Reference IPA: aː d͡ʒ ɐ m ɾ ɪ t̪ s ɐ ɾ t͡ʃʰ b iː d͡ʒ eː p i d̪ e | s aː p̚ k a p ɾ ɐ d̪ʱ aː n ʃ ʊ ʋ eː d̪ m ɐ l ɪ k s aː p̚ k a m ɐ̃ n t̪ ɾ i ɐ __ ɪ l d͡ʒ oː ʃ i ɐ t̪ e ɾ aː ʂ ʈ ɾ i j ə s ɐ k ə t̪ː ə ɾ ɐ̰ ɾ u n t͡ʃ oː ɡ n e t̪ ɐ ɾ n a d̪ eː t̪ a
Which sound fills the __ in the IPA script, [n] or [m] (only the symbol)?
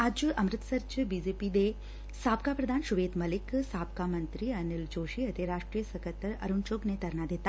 n